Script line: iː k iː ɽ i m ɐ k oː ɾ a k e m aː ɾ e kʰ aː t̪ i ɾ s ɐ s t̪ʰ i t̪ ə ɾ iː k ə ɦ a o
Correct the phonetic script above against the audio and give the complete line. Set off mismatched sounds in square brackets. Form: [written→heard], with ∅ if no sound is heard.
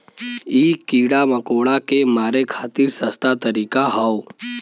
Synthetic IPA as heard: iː k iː ɽ [i→a] m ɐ k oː [ɾ→ɽ] a k e m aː ɾ e kʰ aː t̪ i ɾ s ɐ s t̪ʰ [i→a] t̪ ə ɾ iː k [ə→a] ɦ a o